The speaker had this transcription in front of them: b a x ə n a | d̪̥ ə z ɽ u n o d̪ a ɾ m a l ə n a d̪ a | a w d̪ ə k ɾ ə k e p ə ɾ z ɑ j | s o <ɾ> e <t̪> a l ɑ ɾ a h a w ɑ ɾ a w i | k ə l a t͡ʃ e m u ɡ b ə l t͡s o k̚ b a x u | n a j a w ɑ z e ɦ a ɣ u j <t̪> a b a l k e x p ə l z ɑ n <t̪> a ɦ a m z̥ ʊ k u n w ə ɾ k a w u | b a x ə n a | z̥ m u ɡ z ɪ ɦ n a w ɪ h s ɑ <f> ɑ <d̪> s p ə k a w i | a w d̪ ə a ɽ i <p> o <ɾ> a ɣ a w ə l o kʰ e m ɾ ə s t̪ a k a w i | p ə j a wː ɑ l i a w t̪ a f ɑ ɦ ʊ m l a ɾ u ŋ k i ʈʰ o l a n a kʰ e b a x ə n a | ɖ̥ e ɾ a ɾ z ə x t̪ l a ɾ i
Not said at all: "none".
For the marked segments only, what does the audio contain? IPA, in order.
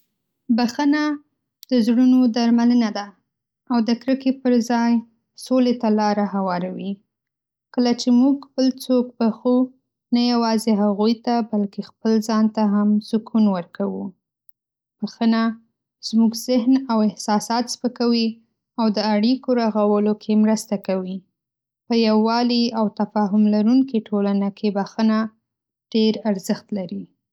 l, t̪, t̪, t̪, s, t̪, k, ɾ

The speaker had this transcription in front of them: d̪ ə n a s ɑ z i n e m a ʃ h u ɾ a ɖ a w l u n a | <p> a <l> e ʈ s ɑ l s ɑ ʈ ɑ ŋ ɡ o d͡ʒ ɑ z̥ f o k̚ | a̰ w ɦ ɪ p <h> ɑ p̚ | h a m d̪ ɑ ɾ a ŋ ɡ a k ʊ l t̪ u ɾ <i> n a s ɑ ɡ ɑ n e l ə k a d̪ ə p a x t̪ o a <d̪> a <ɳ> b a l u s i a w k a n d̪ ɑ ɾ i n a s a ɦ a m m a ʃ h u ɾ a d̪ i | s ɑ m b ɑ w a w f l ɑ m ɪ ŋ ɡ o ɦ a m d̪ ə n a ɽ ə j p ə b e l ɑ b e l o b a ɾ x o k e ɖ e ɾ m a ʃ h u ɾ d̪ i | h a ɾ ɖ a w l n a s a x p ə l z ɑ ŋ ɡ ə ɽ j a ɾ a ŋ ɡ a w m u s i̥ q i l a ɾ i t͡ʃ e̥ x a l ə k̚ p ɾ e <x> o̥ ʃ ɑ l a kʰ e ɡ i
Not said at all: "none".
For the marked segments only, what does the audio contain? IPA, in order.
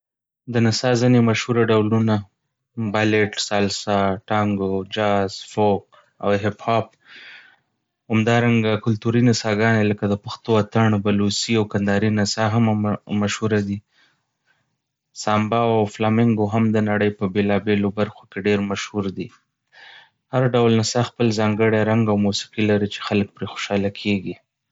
b, l, h, i, t̪, ɳ, x

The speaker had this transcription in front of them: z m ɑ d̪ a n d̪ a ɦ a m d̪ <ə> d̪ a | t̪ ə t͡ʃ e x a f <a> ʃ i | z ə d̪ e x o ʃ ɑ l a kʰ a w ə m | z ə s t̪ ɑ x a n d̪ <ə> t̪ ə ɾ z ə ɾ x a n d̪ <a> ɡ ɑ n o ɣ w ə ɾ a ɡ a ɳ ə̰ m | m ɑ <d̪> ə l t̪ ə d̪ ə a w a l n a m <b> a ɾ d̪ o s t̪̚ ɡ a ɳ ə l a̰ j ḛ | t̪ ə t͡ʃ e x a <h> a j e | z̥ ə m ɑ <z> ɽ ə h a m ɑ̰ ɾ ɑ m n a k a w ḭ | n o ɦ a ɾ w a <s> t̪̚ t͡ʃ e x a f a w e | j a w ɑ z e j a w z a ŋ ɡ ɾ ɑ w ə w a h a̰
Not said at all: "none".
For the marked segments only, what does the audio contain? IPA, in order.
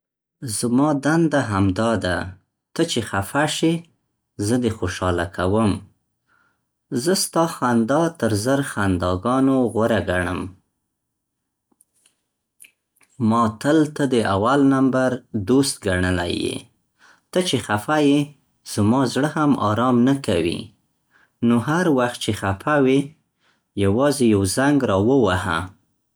ɑ, a, ɑ, ɑ, t̪, b, f, z, x

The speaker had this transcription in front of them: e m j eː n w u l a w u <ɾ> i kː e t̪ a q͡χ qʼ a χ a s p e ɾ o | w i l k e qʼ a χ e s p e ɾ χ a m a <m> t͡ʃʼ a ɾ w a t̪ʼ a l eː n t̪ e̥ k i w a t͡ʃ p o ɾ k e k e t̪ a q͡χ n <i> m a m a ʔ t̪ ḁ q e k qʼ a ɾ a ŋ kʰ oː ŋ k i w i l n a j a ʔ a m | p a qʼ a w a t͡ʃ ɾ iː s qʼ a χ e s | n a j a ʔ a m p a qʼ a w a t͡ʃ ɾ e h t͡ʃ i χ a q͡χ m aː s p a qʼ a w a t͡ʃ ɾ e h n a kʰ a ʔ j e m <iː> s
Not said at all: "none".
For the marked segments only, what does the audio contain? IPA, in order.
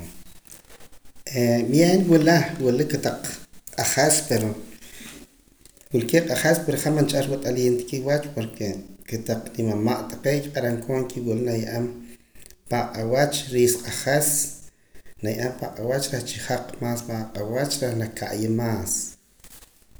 l, n, i, aː

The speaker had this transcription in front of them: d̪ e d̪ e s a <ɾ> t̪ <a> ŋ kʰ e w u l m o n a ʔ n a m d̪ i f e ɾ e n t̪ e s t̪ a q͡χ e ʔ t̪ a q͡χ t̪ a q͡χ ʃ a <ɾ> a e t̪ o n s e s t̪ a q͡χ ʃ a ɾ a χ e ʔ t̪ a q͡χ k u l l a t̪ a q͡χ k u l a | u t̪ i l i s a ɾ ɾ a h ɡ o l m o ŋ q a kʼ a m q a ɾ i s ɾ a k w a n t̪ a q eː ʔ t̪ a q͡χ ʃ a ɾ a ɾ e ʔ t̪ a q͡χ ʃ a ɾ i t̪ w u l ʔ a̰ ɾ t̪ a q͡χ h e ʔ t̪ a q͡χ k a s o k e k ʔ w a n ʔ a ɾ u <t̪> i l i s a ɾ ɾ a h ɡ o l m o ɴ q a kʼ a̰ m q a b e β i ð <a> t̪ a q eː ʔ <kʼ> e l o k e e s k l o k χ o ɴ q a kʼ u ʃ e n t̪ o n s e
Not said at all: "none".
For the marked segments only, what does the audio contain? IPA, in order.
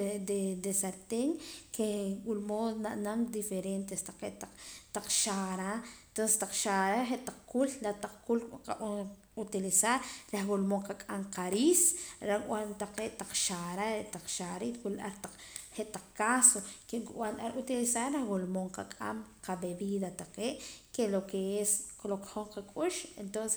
ɾ, e, ɾ, t̪, a, k

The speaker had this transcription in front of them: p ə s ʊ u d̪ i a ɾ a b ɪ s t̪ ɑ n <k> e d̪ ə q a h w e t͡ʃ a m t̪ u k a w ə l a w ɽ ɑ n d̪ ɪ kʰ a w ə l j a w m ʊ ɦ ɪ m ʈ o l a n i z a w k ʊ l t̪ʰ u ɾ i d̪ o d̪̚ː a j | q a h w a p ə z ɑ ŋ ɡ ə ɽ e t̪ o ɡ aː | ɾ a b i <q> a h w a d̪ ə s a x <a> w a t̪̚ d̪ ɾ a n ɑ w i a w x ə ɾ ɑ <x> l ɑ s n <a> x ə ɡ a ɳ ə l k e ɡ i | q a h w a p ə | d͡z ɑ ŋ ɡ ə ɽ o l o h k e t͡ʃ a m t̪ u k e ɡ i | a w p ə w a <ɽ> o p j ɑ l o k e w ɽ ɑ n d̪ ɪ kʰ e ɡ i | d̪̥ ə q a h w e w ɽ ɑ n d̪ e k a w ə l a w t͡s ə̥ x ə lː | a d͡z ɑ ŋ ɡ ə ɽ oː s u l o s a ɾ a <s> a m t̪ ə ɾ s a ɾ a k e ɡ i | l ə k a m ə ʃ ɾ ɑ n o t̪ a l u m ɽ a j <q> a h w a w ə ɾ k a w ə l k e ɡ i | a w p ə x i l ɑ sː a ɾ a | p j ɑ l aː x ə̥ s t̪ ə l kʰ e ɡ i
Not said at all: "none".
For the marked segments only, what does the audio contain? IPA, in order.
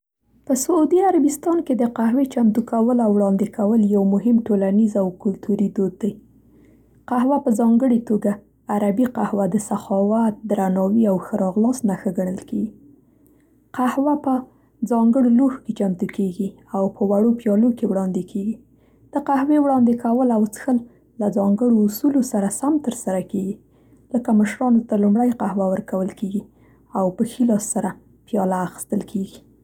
k, q, ɑ, ɣ, a, ɽ, s, q

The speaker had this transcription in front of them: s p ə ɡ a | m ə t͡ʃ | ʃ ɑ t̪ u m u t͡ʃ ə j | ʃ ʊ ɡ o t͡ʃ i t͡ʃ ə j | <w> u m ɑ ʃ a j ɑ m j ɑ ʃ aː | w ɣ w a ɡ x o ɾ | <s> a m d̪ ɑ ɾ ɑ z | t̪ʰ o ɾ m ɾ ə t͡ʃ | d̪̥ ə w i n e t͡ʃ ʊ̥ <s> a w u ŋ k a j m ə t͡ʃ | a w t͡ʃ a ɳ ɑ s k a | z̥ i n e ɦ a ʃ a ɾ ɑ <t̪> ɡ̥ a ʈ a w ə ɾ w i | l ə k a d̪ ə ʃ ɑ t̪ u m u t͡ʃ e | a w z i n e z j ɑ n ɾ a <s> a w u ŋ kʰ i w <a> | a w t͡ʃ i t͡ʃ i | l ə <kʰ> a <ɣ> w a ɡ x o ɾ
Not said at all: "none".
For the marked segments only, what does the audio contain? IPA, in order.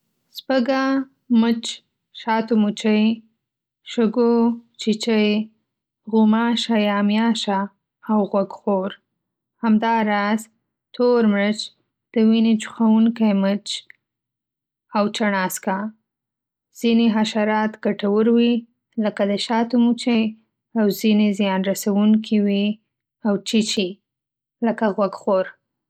ɣ, h, x, t̪, s, i, k, ɣ

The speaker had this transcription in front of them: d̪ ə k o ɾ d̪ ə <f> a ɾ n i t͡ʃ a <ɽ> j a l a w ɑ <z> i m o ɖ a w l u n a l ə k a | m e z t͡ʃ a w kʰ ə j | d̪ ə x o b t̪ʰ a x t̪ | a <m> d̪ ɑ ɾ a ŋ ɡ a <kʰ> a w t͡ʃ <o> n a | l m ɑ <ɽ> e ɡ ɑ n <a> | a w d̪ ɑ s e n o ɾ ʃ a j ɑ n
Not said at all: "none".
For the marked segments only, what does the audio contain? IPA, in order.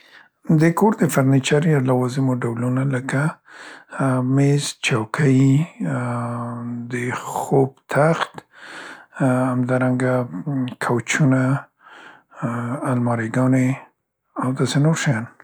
f, ɾ, z, m, kʰ, u, ɾ, e

